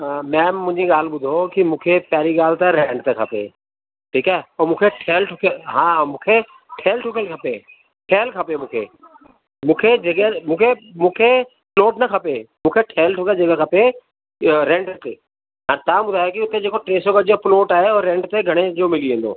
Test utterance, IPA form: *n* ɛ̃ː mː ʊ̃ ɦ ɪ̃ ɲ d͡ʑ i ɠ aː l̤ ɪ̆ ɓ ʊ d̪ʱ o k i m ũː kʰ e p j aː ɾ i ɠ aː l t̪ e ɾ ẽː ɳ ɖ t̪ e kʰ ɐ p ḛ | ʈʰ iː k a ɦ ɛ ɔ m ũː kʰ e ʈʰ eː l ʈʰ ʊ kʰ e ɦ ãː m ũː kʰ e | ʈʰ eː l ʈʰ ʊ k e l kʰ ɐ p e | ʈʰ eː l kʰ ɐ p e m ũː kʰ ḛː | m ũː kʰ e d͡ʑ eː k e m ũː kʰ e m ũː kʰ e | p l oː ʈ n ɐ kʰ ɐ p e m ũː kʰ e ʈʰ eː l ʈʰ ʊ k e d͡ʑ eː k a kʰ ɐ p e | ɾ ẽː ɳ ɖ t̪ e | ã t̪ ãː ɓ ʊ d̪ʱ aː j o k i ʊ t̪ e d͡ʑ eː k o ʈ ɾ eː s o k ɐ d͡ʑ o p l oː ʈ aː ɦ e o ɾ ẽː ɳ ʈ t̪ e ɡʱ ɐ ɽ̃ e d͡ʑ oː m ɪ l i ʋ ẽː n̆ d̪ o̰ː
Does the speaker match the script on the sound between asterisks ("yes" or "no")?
no